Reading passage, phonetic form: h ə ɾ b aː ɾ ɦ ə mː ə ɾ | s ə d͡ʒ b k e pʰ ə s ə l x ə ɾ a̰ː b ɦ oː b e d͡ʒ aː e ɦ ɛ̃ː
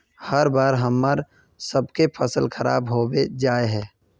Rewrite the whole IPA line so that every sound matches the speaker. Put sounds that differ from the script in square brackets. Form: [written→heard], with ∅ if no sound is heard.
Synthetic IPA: h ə ɾ b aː ɾ ɦ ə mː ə ɾ | s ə [d͡ʒ→∅] b k e pʰ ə s ə l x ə ɾ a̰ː b ɦ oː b e d͡ʒ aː e ɦ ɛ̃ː